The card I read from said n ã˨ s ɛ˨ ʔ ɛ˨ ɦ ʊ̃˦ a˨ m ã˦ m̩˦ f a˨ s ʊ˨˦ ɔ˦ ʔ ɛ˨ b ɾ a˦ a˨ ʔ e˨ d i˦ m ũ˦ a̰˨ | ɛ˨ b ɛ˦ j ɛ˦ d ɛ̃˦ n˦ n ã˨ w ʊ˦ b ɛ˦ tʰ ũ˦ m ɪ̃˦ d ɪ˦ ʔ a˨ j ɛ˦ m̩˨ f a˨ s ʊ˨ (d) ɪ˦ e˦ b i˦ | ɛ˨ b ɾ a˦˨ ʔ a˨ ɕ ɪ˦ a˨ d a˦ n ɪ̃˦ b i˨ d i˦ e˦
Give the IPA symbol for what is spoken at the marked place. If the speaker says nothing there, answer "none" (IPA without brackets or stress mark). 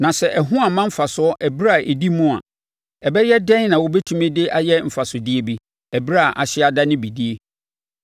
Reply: d